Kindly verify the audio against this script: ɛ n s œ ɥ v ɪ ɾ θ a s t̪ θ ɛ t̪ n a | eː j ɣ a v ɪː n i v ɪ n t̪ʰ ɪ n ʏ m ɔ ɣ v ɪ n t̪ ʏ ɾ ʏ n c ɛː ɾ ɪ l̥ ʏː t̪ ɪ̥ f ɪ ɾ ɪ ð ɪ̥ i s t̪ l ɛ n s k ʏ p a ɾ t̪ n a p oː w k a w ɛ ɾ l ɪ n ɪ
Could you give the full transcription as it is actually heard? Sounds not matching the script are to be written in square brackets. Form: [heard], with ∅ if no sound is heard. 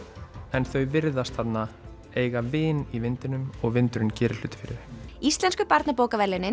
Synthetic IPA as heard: ɛ n [θ] œ ɥ v ɪ ɾ [ð] a s t̪ θ [a] t̪ n a | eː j ɣ a v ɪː n i v ɪ n [t̪] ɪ n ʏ m ɔ ɣ v ɪ n t̪ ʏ ɾ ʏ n c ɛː ɾ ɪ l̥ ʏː t̪ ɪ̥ f ɪ ɾ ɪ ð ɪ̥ i s t̪ l ɛ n s k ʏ p a ɾ t̪ n a p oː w k a [v] ɛ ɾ l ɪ n ɪ